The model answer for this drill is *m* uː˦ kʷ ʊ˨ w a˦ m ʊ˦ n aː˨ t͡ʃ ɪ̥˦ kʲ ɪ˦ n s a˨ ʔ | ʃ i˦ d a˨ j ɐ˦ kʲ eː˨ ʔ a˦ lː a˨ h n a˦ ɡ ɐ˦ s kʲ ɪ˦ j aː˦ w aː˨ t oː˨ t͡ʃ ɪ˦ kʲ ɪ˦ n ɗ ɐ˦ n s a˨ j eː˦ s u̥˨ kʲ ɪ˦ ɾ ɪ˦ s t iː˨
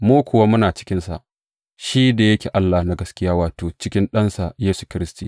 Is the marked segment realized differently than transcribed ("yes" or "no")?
no